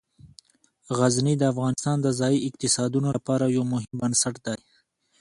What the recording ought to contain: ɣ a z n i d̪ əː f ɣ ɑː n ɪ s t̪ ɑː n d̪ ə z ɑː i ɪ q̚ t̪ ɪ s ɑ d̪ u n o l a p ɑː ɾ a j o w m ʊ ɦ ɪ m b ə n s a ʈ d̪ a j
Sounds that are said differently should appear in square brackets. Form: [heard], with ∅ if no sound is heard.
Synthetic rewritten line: ɣ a z n i d̪ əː f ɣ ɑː n ɪ s t̪ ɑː n d̪ ə z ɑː i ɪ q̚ t̪ ɪ s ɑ d̪ u n o l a p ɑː ɾ a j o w m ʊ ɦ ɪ m b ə n s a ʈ d̪ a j